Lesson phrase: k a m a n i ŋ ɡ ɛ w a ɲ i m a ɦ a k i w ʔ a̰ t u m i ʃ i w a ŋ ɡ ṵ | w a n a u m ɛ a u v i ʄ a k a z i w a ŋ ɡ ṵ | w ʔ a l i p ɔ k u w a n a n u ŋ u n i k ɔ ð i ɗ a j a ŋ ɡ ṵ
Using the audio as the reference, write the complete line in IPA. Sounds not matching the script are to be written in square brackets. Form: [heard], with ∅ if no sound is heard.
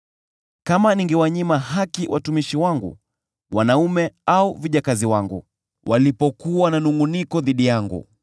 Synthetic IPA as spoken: k a m a n i ŋ ɡ ɛ w a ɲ i m a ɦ a k i w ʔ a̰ t u m i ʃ i w a ŋ ɡ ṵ | w a n a u m ɛ a u v i ʄ a k a z i w a ŋ ɡ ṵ | w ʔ a l i p ɔ k u w a n a n u ŋ u n i k ɔ ð i ɗ [i] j a ŋ ɡ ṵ